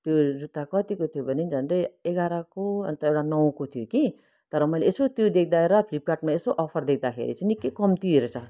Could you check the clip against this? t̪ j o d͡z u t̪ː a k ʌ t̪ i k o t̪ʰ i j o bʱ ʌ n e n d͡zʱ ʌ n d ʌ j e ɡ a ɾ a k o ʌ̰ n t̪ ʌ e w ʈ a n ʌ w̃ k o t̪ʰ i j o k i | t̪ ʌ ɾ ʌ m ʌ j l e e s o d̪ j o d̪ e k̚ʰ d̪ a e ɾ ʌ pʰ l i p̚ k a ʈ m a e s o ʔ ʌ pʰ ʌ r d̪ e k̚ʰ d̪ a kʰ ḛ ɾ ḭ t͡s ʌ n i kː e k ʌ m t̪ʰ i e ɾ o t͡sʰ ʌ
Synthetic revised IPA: t̪ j o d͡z u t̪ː a k ʌ t̪ i k o t̪ʰ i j o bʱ ʌ n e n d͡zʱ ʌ n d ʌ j e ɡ a ɾ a k o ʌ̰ n t̪ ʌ e w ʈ a n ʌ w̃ k o t̪ʰ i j o k i | t̪ ʌ ɾ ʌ m ʌ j l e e s o t̪ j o d̪ e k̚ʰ d̪ a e ɾ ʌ pʰ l i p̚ k a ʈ m a e s o ʔ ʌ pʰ ʌ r d̪ e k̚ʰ d̪ a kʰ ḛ ɾ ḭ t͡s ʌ n i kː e k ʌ m t̪ i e ɾ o t͡sʰ ʌ

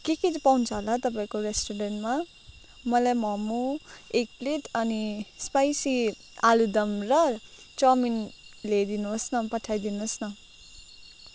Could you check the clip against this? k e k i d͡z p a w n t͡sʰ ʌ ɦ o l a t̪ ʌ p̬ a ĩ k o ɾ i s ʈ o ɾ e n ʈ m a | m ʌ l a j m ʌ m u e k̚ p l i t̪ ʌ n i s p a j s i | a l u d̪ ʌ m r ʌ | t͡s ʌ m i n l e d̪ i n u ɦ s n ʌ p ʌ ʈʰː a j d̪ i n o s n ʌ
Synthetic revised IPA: k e k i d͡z p a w n t͡sʰ ʌ ɦ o l a t̪ ʌ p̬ a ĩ k o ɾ e s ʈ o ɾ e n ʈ m a | m ʌ l a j m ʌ m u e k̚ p l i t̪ ʌ n i s p a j s i | a l u d̪ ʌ m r ʌ | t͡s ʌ m i n l e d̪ i n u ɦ s n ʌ p ʌ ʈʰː a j d̪ i n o s n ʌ

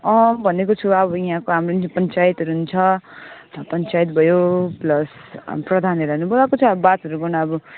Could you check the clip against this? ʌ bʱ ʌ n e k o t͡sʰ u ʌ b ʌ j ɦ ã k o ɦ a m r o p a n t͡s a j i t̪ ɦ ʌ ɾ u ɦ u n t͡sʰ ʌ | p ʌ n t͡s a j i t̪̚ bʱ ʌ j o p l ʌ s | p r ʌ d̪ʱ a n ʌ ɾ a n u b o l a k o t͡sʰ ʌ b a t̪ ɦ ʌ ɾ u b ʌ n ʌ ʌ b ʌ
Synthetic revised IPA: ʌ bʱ ʌ n e k o t͡sʰ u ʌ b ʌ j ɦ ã k o ɦ a m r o p ʌ n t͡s a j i t̪ ɦ ʌ ɾ u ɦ u n t͡sʰ ʌ | p ʌ n t͡s a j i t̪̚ bʱ ʌ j o p l ʌ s | p r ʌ d̪ʱ a n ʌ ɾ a n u b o l a k o t͡sʰ ʌ b a t̪ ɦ ʌ ɾ u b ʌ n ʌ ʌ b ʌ

